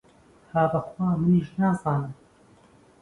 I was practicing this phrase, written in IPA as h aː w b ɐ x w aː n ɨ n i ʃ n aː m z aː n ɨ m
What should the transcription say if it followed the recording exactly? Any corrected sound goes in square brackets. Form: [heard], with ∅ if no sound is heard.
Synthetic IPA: h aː [∅] b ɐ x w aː [m] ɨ n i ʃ n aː [∅] z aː n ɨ m